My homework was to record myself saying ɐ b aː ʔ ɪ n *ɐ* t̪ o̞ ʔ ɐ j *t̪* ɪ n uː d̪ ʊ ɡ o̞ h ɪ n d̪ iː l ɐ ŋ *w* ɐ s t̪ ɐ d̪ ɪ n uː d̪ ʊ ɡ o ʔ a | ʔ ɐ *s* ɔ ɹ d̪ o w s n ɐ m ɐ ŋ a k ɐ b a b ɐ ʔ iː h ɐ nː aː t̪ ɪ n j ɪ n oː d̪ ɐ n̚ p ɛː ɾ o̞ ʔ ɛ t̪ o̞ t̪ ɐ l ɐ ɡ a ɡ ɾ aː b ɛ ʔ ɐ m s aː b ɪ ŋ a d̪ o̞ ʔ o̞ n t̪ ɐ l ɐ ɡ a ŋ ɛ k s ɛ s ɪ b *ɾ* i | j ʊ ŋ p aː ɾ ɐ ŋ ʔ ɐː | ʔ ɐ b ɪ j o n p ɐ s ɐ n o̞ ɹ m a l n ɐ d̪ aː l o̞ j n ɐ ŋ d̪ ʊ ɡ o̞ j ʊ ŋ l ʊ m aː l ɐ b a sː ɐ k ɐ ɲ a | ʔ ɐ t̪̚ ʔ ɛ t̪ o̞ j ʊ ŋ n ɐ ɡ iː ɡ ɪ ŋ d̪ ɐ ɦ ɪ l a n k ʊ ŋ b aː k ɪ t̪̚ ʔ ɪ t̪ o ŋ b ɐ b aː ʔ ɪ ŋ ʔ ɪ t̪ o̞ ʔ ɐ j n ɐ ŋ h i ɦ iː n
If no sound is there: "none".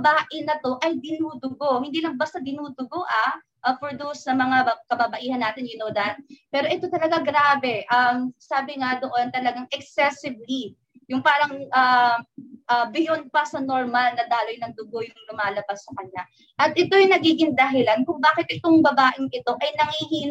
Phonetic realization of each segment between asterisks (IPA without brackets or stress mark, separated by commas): ɐ, d̪, b, f, l